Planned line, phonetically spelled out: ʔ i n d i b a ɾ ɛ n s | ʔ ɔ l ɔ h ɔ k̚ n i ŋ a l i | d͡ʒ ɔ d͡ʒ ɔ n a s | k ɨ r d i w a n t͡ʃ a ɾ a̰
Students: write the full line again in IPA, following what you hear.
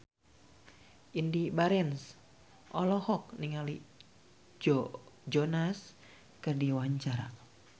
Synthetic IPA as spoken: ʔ i n d i b a ɾ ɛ n s | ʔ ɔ l ɔ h ɔ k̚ n i ŋ a l i | d͡ʒ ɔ d͡ʒ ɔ n a s | k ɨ r d i w a ɲ t͡ʃ a ɾ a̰